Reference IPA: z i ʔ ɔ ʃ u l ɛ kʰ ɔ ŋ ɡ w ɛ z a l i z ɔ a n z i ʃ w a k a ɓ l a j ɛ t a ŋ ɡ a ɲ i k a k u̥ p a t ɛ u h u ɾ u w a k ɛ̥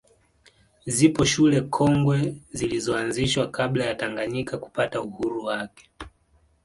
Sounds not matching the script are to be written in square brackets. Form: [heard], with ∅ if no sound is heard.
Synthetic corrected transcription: z i [p] ɔ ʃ u l ɛ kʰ ɔ ŋ ɡ w ɛ z [i] l i z ɔ a n z i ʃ w a k a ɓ l a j [a] t a ŋ ɡ a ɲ i k a k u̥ p a t [a] u h u ɾ u w a k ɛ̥